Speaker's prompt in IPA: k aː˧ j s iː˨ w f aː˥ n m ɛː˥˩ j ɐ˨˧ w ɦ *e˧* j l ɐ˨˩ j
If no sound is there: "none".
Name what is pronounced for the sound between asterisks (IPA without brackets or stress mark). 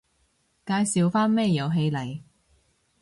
e˧